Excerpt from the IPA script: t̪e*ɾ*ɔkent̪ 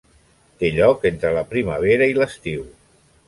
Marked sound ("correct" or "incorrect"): incorrect